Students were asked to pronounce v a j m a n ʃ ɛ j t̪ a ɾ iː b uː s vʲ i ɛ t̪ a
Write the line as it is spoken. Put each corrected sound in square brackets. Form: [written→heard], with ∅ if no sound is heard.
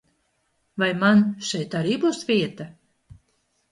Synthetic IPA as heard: v a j m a n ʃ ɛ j t̪ a ɾ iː b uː s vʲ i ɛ t̪ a